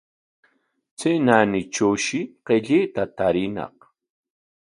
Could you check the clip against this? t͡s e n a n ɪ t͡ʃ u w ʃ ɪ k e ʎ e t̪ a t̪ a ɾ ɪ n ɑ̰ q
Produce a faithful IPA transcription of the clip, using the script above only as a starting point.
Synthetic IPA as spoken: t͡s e n a n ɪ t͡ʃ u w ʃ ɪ q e ʎ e t̪ a t̪ a ɾ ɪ n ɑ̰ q